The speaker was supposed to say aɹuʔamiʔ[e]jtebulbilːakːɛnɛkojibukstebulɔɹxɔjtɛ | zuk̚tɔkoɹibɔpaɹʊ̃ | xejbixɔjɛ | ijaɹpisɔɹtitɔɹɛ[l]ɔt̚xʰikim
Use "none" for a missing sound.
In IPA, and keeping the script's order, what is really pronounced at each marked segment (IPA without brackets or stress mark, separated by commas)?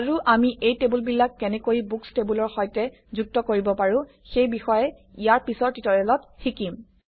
e, l